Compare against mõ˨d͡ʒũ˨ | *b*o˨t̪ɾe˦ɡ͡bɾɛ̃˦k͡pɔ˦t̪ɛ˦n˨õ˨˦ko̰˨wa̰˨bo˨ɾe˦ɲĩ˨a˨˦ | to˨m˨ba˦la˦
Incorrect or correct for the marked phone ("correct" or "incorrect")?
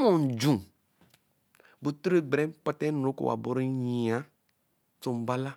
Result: correct